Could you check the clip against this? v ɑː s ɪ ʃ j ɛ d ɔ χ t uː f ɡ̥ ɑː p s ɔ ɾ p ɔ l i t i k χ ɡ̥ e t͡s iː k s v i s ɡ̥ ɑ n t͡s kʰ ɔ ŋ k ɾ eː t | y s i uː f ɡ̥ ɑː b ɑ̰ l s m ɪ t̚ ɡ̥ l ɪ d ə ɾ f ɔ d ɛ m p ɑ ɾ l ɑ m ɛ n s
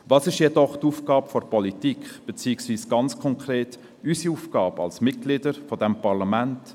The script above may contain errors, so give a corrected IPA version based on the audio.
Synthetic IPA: v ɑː s ɪ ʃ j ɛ d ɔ χ t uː f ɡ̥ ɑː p f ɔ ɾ p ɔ l i t i k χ b̥ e t͡s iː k s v iː s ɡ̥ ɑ n t͡s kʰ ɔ ŋ k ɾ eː t | y s i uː f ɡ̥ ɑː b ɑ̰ l s m ɪ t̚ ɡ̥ l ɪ d ə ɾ f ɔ d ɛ m p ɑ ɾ l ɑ m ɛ n t